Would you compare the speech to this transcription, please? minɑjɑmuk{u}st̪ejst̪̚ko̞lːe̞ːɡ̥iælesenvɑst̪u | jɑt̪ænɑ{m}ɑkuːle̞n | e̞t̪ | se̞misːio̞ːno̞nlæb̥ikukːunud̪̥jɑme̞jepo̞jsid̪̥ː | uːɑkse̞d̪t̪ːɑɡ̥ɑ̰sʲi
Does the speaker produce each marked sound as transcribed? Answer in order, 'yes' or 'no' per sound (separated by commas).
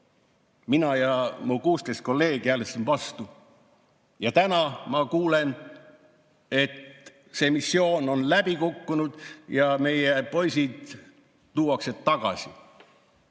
no, yes